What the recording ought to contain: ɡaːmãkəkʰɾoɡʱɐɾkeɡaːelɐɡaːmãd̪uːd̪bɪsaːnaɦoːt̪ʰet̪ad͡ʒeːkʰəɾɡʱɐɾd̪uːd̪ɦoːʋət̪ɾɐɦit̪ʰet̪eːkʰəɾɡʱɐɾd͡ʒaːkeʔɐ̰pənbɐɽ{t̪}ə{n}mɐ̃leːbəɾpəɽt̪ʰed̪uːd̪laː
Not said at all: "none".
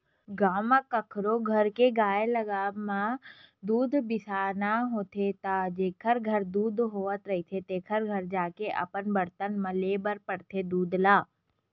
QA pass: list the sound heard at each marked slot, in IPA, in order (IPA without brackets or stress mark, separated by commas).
t̪, n